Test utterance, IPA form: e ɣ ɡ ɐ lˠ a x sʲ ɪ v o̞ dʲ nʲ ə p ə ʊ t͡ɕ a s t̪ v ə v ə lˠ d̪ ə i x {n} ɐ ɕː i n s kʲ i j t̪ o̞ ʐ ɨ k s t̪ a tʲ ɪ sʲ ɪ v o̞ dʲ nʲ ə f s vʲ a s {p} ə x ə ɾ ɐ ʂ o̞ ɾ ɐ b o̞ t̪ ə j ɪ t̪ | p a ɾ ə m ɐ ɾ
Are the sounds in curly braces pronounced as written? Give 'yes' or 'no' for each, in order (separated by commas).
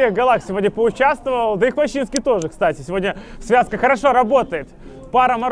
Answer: no, no